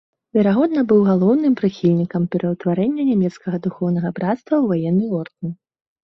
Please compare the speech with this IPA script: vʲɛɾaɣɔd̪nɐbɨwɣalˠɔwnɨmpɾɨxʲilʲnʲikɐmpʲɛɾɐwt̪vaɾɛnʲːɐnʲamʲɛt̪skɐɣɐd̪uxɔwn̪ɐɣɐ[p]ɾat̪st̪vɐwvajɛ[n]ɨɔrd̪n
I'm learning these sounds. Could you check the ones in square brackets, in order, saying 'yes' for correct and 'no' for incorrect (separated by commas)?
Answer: no, no